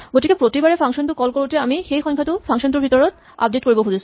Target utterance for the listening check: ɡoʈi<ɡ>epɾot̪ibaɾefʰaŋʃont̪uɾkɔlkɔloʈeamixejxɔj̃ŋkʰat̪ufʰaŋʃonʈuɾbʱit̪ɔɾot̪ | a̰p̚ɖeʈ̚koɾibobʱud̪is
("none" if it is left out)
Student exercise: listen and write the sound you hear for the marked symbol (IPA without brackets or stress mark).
k